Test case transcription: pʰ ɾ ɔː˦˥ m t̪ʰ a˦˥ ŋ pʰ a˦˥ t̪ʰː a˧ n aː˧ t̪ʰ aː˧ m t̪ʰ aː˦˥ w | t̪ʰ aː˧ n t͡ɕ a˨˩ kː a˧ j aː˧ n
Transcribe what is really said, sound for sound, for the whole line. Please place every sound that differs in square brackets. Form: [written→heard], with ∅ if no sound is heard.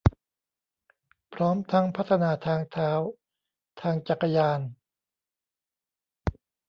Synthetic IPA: pʰ ɾ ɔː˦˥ m t̪ʰ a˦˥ ŋ pʰ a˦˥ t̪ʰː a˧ n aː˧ t̪ʰ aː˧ [m→ŋ] t̪ʰ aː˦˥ w | t̪ʰ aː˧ [n→ŋ] t͡ɕ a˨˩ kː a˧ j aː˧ n